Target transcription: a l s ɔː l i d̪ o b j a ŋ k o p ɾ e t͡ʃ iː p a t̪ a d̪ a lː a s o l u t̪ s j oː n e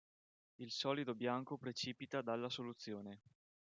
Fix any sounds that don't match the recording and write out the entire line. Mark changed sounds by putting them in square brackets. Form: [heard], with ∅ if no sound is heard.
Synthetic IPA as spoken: [i] l s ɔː l i d̪ o b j a ŋ k o p ɾ e t͡ʃ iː p [i] t̪ a d̪ a lː a s o l u t̪ [sː] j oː n e